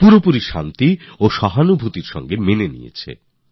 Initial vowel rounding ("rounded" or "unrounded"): rounded